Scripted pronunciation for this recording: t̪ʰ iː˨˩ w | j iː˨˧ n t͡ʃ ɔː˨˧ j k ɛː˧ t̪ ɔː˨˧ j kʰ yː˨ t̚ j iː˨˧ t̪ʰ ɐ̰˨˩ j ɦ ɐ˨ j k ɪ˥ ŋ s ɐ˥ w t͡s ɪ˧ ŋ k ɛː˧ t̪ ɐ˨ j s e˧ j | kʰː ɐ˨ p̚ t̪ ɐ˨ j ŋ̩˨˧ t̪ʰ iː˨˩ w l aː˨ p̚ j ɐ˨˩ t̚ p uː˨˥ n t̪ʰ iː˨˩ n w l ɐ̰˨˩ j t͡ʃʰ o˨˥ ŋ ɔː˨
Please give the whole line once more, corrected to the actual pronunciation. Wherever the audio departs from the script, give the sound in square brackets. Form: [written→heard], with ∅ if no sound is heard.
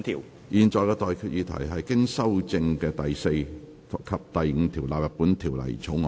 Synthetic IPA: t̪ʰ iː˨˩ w | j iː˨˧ n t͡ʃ ɔː˨˧ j k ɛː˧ t̪ ɔː˨˧ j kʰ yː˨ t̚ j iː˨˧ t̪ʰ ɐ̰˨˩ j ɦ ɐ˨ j k ɪ˥ ŋ s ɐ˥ w t͡s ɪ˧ ŋ k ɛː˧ t̪ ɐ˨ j s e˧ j | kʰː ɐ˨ p̚ t̪ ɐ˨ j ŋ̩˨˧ t̪ʰ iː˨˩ w l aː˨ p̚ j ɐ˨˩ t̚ p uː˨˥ n t̪ʰ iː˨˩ [n→∅] w l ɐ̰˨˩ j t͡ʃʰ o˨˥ ŋ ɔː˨

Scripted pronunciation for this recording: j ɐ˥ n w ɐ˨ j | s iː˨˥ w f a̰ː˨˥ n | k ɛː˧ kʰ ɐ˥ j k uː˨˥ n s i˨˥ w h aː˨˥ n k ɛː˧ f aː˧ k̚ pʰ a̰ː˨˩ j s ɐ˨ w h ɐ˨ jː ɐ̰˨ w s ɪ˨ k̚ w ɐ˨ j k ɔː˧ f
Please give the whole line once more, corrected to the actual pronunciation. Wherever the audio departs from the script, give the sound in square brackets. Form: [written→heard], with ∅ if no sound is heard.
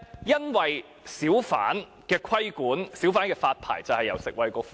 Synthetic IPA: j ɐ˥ n w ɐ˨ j | s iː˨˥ w f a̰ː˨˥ n | k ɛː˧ kʰ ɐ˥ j k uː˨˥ n s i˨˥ w [h→f] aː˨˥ n k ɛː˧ f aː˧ [k̚→t̚] pʰ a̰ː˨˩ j [s→t͡s] ɐ˨ w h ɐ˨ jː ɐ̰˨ w s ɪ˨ k̚ w ɐ˨ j k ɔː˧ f

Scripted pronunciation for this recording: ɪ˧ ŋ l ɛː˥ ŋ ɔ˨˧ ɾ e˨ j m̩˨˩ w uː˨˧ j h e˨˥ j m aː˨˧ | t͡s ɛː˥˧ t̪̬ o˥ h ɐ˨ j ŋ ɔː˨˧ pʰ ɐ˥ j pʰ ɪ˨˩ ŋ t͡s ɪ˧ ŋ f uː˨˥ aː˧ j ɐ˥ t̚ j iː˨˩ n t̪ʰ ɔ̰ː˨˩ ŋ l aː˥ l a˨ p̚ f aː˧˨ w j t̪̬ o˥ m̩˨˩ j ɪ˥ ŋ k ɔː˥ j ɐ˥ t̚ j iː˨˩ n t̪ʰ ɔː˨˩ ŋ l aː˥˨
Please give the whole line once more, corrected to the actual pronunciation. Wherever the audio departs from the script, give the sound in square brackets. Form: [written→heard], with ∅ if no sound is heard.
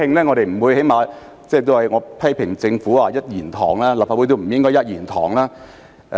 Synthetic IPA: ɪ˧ ŋ l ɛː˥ ŋ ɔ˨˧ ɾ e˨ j m̩˨˩ w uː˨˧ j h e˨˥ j m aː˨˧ | t͡s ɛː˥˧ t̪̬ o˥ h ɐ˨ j ŋ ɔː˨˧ pʰ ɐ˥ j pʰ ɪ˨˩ ŋ t͡s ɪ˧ ŋ f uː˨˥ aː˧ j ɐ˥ t̚ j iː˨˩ n t̪ʰ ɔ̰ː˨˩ ŋ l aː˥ l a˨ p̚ f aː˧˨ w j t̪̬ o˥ m̩˨˩ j ɪ˥ ŋ k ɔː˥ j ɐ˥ t̚ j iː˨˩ n t̪ʰ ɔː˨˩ ŋ l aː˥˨

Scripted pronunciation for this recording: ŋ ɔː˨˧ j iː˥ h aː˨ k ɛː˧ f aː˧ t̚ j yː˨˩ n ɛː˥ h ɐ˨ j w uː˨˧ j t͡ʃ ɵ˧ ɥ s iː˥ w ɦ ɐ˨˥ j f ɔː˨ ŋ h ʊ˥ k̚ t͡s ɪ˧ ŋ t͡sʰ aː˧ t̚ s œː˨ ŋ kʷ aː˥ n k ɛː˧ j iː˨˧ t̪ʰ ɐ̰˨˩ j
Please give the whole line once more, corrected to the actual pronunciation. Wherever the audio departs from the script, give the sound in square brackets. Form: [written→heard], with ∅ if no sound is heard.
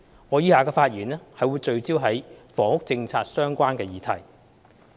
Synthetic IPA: ŋ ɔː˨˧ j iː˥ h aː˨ k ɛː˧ f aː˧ t̚ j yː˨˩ n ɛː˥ h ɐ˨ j w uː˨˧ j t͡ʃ ɵ˧ ɥ [s→t͡s] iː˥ w ɦ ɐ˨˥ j f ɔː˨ ŋ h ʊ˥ k̚ t͡s ɪ˧ ŋ t͡sʰ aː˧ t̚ s [œː˨→œː˥] ŋ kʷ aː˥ n k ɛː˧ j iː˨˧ t̪ʰ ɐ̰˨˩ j

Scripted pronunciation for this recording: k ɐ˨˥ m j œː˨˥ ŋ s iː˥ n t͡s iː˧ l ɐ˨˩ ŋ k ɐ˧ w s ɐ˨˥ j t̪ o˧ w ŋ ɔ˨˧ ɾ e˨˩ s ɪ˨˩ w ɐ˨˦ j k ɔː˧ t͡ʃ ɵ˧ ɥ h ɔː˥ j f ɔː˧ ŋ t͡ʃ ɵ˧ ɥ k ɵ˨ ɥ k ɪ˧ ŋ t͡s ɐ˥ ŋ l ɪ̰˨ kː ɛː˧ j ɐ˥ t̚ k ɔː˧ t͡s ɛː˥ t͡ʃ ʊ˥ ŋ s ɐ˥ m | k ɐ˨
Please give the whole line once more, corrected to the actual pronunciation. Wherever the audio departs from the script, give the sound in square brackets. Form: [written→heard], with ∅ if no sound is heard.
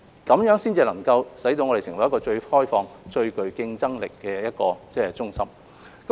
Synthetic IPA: k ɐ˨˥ m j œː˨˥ ŋ s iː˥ n t͡s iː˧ l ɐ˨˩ ŋ k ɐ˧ w s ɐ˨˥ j t̪ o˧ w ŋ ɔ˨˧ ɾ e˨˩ s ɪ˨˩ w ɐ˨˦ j k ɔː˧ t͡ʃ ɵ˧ ɥ h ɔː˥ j f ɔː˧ ŋ t͡ʃ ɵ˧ ɥ k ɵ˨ ɥ k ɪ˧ ŋ t͡s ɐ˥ ŋ l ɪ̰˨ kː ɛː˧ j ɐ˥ t̚ k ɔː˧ t͡s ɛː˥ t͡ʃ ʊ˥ ŋ s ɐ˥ m | k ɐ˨

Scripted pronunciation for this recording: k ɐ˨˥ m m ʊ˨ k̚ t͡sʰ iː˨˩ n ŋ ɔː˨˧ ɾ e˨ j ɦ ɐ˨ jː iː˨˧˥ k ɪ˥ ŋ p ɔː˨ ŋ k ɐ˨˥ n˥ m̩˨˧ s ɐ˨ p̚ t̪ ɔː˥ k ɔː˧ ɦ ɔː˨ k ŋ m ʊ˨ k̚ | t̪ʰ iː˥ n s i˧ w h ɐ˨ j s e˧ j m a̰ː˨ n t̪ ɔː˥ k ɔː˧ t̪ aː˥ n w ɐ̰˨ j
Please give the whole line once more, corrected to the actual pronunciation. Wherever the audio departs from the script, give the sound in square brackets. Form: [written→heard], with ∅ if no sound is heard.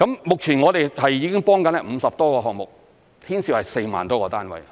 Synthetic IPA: k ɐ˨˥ m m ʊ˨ k̚ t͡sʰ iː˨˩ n ŋ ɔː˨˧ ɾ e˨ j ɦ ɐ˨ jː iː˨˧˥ k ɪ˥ ŋ p [ɔː˨→ɔː˥] ŋ k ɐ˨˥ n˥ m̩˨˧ s ɐ˨ p̚ t̪ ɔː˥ k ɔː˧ ɦ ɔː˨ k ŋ m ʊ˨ k̚ | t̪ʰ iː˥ n s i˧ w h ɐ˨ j s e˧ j m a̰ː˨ n t̪ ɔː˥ k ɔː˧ t̪ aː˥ n w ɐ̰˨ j

